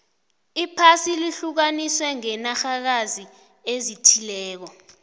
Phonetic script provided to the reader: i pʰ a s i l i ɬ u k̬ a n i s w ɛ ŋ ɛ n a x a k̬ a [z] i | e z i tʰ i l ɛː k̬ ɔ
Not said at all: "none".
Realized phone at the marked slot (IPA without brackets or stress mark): z